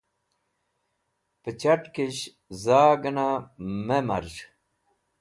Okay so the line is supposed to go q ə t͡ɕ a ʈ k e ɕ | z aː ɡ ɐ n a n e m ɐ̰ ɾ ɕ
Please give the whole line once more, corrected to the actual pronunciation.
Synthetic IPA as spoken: p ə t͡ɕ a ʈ k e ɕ | z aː ɡ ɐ n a m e m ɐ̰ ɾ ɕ